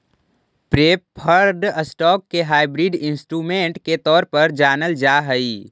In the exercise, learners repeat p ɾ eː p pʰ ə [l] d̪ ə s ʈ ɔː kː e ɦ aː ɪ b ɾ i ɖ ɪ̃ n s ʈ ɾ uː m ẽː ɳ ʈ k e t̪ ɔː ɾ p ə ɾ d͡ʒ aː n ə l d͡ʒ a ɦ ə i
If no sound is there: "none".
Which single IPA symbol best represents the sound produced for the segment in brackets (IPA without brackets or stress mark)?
ɾ